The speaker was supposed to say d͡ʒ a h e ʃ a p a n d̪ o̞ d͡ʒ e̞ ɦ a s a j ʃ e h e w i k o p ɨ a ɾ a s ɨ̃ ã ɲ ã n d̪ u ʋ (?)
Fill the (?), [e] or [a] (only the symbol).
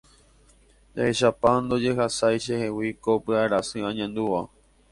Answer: a